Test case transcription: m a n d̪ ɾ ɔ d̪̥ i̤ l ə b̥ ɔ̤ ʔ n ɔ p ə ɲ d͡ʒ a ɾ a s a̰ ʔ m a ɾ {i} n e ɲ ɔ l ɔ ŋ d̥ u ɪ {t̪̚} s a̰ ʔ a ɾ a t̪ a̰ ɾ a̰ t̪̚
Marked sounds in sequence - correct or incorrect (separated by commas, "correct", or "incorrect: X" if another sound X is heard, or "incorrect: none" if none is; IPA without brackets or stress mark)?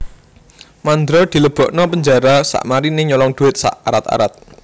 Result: correct, correct